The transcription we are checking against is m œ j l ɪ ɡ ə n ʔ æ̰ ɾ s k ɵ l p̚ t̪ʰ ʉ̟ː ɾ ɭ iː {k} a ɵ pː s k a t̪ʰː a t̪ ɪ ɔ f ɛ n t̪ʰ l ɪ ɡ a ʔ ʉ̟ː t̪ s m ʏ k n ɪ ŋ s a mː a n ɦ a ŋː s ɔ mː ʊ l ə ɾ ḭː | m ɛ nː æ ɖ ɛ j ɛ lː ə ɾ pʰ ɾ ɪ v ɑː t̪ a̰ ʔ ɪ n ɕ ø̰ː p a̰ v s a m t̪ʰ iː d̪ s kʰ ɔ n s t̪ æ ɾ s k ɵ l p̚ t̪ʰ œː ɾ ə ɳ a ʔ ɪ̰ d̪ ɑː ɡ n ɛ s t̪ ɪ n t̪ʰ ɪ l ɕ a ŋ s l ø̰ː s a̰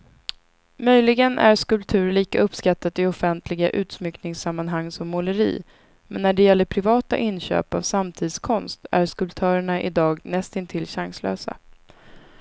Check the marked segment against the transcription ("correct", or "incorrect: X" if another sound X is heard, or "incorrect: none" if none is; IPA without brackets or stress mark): correct